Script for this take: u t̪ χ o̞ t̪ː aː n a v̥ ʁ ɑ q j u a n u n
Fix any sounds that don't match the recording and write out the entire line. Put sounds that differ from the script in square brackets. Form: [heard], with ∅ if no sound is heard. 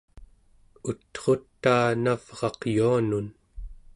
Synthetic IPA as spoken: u t̪ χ o̞ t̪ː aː n a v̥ ʁ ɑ q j u a n u n